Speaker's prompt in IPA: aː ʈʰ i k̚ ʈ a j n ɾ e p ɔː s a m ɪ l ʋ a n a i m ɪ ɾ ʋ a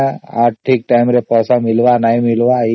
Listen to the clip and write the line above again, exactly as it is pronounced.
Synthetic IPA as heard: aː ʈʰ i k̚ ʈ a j m ɾ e p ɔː s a m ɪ l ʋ a n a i m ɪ l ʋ a